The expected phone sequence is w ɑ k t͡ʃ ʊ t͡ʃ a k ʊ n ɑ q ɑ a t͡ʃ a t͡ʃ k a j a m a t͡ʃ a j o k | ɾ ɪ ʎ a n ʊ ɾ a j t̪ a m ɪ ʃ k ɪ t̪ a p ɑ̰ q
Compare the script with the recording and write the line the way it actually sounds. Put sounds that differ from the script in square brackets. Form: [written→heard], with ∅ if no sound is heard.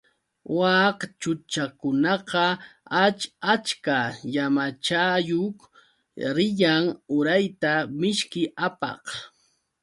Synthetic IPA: w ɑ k t͡ʃ ʊ t͡ʃ a k ʊ n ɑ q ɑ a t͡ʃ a t͡ʃ k a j a m a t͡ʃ a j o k | ɾ ɪ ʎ a [n→ŋ] ʊ ɾ a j t̪ a m ɪ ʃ k ɪ [t̪→∅] a p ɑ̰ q

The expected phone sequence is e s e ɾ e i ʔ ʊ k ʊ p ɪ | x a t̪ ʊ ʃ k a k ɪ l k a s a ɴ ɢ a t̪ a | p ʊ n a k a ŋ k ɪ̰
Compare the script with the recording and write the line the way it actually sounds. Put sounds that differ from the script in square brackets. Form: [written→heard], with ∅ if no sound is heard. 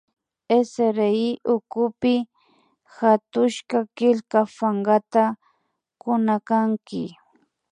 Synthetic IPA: e s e ɾ e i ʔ ʊ k ʊ p ɪ | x a t̪ ʊ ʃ k a k ɪ l k a [s→f] a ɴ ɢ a t̪ a | [p→k] ʊ n a k a ŋ k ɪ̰

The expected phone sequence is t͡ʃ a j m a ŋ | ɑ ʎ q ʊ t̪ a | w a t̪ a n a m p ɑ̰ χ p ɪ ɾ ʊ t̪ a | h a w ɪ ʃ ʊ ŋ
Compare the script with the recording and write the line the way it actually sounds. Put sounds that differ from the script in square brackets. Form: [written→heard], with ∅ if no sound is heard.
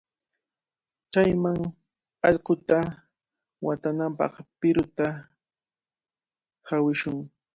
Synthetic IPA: t͡ʃ a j m a ŋ | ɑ ʎ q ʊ t̪ a | w a t̪ a n a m p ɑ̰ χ p ɪ ɾ ʊ t̪ a | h a w ɪ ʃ ʊ ŋ

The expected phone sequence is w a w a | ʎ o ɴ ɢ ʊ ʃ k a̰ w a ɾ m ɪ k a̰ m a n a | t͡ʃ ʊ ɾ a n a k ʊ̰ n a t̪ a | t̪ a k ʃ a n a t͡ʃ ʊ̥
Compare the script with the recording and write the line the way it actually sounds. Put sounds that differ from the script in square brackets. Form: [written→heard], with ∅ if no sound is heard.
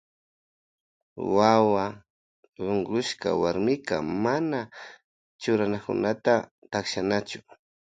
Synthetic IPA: w a w a | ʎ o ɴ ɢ ʊ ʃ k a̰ w a ɾ m ɪ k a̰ m a n a | t͡ʃ ʊ ɾ a n a k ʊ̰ n a t̪ a | t̪ a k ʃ a n a t͡ʃ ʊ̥

